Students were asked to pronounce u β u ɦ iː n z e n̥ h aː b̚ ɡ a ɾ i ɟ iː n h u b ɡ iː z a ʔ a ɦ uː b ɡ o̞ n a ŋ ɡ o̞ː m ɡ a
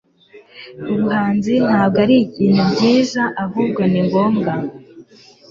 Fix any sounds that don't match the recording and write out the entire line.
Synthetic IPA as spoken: u β u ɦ aː n z i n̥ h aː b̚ ɡ a ɾ i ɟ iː n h u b ɟ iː z a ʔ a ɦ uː b ɡ o̞ n i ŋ ɡ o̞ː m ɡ a